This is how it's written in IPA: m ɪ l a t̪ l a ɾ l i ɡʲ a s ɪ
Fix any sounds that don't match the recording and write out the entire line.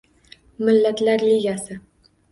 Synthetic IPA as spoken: m ɪ lː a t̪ l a ɾ l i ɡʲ a s ɪ